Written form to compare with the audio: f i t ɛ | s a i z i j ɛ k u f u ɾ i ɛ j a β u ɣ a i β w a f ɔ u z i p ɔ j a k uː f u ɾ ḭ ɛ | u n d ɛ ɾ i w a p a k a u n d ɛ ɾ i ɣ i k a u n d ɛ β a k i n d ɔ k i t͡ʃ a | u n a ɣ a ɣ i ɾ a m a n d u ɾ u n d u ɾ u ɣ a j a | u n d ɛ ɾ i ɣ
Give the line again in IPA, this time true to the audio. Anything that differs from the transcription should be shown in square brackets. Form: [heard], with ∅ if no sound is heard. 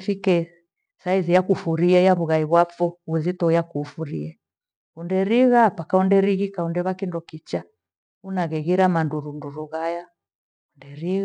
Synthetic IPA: f i [k] ɛ | s a i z i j [a] k u f u ɾ i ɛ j a β u ɣ a i β w a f ɔ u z i [t] ɔ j a k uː f u ɾ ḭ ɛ | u n d ɛ ɾ i [ɣ] a p a k a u n d ɛ ɾ i ɣ i k a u n d ɛ β a k i n d ɔ k i t͡ʃ a | u n a ɣ [ɛ] ɣ i ɾ a m a n d u ɾ u n d u ɾ u ɣ a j a | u n d ɛ ɾ i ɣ

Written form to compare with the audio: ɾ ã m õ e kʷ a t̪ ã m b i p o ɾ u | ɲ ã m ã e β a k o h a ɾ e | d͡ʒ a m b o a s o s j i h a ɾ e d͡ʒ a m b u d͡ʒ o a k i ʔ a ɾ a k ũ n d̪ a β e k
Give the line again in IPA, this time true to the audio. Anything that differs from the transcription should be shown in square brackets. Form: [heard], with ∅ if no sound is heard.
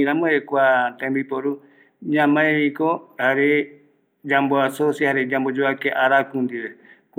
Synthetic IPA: ɾ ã m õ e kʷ a t̪ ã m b i p o ɾ u | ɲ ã m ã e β [i] k o h a ɾ e | d͡ʒ a m b o a s o s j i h a ɾ e d͡ʒ a m b [o] d͡ʒ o a k [e] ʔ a ɾ a k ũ n d̪ [i] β e k

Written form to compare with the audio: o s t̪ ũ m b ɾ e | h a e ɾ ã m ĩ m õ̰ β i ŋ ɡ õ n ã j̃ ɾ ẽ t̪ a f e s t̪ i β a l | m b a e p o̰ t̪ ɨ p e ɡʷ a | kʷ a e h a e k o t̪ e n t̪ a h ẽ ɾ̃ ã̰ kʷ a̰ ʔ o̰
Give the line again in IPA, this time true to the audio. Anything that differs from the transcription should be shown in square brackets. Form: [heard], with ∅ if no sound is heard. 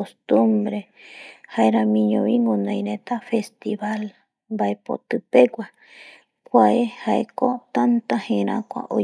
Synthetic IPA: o s t̪ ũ m b ɾ e | h a e ɾ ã m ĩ [ɲ] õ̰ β i ŋ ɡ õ n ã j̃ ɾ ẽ t̪ a f e s t̪ i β a l | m b a e p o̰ t̪ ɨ p e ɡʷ a | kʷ a e h a e k o t̪ [a] n t̪ a h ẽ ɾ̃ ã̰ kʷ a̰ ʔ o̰

